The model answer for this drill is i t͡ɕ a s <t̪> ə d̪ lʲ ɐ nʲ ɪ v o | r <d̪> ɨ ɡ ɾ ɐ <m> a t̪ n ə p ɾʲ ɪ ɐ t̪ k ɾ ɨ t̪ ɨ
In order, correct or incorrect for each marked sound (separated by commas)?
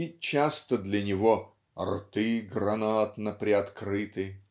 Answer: correct, incorrect, incorrect